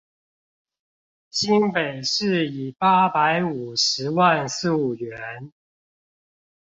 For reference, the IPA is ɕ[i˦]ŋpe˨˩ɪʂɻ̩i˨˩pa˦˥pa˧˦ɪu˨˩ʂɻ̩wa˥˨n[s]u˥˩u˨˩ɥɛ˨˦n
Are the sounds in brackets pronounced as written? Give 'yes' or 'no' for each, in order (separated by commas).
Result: yes, yes